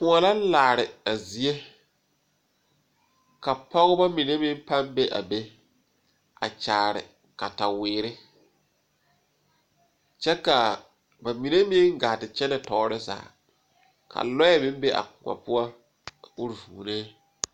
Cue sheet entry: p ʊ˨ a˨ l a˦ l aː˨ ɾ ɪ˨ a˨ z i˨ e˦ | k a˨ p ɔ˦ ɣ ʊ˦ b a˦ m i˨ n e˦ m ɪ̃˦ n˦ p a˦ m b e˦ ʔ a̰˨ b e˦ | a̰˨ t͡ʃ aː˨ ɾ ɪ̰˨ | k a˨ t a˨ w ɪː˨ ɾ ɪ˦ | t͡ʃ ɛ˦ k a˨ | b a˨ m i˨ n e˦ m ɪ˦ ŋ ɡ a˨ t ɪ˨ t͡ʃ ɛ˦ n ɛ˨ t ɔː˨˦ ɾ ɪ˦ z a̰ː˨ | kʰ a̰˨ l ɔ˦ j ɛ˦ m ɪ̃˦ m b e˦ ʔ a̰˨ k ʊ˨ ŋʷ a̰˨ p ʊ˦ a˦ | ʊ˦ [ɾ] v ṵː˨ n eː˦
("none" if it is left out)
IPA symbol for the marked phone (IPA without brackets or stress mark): ɾ